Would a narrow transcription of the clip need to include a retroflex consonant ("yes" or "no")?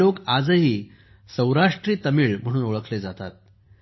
yes